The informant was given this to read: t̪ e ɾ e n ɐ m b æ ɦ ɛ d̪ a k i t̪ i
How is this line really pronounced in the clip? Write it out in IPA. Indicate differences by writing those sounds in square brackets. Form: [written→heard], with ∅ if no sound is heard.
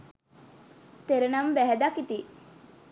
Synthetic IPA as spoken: t̪ e ɾ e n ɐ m b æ ɦ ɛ d̪ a k i t̪ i